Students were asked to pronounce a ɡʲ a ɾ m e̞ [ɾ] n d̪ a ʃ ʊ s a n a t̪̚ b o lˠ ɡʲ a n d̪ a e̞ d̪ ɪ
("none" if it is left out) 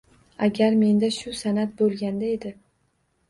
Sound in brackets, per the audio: none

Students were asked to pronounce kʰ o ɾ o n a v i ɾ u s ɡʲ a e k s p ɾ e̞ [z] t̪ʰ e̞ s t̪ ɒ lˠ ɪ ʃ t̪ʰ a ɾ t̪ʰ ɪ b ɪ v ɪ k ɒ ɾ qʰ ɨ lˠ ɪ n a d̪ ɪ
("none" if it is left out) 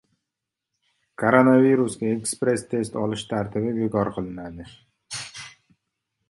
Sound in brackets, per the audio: s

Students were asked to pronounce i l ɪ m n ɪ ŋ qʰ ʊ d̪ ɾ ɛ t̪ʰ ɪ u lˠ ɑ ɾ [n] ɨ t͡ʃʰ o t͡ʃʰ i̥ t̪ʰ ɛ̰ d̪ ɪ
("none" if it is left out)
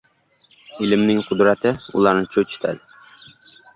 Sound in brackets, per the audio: n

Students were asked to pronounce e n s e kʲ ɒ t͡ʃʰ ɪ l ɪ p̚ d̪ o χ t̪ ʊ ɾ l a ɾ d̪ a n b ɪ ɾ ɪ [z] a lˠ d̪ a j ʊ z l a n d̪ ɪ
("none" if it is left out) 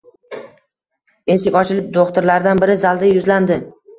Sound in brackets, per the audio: z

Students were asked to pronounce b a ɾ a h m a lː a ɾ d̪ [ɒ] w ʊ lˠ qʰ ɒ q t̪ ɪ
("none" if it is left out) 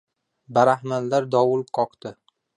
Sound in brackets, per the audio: ɒ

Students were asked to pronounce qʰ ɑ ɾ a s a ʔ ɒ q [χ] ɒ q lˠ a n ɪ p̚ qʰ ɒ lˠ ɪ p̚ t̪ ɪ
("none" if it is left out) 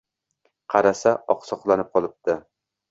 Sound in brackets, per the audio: s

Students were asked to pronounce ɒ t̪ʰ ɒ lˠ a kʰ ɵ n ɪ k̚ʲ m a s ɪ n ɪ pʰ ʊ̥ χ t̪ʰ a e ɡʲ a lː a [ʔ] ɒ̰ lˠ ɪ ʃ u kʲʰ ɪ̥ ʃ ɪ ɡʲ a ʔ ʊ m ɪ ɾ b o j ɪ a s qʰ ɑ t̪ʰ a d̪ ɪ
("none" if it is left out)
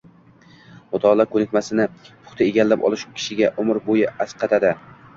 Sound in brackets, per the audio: p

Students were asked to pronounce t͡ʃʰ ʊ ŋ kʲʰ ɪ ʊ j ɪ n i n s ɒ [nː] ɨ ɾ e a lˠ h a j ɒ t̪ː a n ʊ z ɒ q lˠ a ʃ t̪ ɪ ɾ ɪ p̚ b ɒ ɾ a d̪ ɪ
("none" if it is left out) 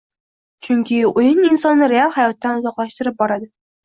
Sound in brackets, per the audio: nː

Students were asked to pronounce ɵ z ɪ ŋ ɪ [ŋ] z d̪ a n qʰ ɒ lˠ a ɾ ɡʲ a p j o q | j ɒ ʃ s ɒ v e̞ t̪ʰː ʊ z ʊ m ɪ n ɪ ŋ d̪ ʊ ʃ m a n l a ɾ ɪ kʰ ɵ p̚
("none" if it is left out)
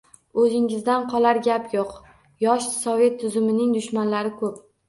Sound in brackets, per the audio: none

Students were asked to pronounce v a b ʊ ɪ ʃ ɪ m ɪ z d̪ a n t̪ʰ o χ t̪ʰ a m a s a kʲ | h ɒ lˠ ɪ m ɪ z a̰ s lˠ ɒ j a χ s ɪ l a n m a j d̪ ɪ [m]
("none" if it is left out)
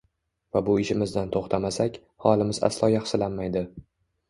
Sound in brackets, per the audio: none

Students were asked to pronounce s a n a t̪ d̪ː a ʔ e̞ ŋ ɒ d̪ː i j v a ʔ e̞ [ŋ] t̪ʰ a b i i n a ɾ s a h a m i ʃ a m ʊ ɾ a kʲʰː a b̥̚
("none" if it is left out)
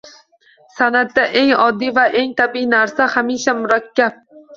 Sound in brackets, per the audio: ŋ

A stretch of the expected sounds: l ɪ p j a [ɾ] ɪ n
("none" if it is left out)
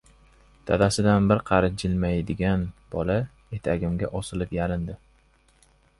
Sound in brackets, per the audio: l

